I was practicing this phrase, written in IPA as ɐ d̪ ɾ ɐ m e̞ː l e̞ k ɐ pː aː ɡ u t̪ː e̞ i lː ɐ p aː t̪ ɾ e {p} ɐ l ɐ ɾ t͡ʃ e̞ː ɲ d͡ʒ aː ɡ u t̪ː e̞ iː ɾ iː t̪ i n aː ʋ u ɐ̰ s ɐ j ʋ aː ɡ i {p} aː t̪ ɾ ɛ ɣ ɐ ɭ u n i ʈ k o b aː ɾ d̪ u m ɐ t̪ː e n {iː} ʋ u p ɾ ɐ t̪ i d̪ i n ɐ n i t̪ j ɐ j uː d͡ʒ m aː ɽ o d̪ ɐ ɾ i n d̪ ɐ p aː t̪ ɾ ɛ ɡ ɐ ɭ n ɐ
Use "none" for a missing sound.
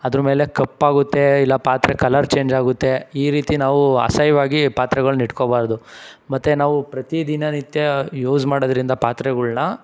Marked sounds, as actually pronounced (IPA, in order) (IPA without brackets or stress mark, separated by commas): k, p, aː